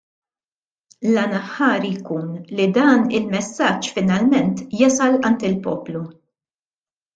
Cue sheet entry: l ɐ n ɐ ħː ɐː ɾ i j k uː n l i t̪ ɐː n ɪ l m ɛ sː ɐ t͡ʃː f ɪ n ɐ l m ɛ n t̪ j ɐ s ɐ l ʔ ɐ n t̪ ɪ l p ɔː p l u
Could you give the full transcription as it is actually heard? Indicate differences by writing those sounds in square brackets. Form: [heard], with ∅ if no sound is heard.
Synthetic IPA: l ɐ n ɐ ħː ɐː ɾ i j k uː n l i [d̪] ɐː n ɪ l m ɛ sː ɐ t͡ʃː f ɪ n ɐ l m ɛ n t̪ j ɐ s ɐ l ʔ ɐ n t̪ ɪ l p ɔː p l u